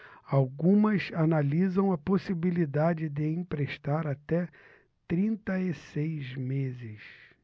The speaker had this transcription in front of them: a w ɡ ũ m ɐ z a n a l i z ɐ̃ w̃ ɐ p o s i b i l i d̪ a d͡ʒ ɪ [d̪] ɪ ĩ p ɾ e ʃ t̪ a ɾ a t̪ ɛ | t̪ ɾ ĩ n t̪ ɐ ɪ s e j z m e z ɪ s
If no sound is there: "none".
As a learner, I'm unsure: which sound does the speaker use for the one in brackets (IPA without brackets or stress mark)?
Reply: d̪